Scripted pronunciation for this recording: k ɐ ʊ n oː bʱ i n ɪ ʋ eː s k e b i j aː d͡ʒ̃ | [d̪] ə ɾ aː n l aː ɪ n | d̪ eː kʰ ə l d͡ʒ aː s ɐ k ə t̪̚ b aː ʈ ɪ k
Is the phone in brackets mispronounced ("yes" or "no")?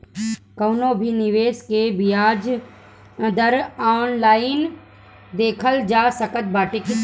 no